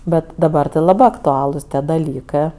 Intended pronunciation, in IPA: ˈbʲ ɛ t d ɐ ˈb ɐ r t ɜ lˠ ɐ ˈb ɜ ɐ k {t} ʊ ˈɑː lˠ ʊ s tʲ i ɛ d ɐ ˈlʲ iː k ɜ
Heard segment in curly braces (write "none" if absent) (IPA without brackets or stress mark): t